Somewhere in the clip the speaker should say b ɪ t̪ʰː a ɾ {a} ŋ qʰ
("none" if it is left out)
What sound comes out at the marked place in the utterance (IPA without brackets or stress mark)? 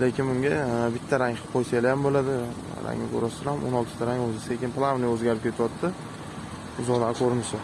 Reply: a